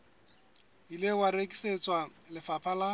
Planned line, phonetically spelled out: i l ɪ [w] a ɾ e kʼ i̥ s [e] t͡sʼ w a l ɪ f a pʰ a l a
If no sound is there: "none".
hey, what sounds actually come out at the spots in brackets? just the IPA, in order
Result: w, e

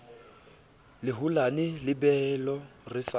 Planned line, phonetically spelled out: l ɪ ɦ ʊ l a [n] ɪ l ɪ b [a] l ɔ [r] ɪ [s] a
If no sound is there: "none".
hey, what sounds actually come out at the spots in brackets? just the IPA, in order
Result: n, ɛ, r, s

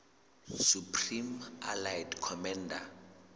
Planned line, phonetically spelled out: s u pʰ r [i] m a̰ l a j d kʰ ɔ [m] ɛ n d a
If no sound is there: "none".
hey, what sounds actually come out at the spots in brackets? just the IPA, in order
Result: i, m

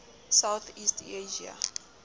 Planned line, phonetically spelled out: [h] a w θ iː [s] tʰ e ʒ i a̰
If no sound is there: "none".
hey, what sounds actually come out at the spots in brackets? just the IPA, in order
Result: s, s

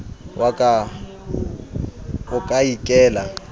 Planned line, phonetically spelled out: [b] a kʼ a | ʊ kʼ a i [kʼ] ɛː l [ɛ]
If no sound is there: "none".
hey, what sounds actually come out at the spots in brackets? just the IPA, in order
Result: w, kʼ, a

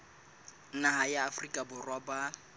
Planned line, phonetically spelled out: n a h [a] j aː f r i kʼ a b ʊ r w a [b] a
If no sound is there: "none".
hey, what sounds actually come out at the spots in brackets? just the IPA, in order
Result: a, b

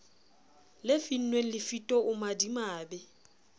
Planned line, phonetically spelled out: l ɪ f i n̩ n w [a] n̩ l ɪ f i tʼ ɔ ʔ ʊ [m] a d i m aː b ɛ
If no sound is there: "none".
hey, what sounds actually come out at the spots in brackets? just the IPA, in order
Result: e, m

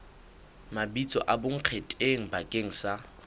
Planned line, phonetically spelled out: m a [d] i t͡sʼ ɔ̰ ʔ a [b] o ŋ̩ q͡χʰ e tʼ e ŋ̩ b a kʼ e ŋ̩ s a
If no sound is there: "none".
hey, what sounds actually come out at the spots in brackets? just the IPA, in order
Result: b, b

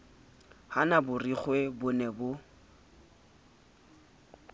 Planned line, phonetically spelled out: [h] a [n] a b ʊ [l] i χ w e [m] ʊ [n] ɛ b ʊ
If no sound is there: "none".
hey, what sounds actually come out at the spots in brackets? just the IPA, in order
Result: h, n, r, b, n

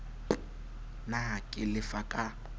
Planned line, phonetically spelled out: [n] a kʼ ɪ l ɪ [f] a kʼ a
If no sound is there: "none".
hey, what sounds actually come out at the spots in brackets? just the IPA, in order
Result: n, f

